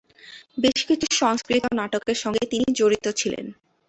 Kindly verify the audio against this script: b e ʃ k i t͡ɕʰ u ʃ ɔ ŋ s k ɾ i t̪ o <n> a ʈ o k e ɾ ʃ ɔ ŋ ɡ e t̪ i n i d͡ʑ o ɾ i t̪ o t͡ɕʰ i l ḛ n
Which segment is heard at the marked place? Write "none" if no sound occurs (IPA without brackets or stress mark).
n